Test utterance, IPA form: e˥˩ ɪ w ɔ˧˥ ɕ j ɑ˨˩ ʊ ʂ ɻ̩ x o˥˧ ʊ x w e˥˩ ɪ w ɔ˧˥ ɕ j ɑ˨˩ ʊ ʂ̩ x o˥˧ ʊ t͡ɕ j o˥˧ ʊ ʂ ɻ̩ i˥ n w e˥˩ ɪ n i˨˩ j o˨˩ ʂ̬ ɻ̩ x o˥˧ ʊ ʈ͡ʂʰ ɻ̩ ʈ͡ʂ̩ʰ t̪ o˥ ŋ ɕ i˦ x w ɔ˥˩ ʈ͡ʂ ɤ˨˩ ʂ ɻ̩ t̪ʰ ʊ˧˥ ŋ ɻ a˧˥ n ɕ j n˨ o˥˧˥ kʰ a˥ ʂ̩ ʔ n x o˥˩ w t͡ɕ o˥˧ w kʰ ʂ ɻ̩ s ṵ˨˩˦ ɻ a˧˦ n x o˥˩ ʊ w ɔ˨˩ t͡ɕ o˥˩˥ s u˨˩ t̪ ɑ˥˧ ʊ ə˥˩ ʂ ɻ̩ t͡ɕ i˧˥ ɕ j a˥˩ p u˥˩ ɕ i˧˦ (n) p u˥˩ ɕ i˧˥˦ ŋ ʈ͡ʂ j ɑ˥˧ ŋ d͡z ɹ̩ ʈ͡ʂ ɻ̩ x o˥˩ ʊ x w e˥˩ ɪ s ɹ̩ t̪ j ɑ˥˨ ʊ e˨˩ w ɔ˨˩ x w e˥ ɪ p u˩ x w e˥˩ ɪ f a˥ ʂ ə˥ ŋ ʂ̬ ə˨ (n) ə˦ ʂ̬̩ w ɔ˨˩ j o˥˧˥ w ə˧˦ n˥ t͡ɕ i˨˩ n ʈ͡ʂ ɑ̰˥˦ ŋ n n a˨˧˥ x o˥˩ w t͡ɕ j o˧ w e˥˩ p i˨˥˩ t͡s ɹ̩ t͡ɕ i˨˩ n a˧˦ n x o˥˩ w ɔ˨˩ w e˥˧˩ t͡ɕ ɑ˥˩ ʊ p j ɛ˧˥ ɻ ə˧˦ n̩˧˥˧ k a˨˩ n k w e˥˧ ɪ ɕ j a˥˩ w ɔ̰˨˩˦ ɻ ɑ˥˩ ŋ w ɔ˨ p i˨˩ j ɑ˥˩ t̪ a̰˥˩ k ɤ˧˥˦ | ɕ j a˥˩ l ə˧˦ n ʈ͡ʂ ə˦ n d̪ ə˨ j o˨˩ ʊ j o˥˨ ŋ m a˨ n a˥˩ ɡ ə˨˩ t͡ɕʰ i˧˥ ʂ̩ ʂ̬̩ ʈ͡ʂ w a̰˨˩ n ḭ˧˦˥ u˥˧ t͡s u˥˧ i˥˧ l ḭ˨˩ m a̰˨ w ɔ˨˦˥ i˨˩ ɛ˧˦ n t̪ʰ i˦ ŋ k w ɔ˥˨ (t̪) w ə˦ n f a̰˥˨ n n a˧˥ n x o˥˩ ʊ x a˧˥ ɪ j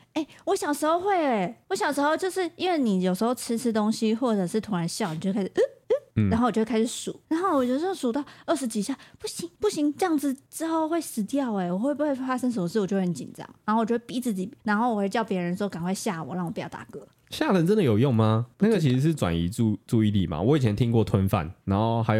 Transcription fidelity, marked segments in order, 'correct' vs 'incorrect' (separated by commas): incorrect, incorrect, incorrect